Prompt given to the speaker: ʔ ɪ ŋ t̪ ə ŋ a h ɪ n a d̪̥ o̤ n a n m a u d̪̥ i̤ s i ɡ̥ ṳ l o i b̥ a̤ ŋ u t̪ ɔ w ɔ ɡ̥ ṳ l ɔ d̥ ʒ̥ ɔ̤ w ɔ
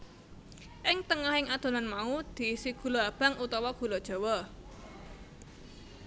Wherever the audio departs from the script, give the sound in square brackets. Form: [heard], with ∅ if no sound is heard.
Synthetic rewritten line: ʔ ɪ ŋ t̪ ə ŋ a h ɪ [ŋ] a d̪̥ o̤ n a n m a u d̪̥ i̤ s i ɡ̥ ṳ l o [a] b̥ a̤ ŋ u t̪ ɔ w ɔ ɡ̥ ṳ l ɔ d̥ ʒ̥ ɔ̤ w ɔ